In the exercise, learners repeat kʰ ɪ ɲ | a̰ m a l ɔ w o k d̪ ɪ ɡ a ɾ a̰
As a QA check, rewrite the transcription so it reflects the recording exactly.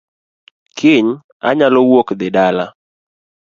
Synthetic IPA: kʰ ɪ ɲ | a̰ ɲ a l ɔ w o k d̪ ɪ d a l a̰